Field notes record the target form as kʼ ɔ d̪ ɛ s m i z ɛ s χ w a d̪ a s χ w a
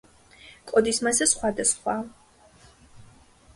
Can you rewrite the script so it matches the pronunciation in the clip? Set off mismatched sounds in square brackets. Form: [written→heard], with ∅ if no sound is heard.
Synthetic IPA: kʼ ɔ d̪ [ɛ→i] s m [i→a] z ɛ s χ w a d̪ a s χ w a